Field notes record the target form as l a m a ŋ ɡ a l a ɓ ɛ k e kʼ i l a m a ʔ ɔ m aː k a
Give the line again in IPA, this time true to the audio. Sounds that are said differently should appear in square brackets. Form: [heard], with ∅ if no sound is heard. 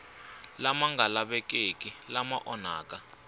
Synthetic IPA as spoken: l a m a ŋ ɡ a l a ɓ ɛ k e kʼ i l a m a ʔ ɔ [n] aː k a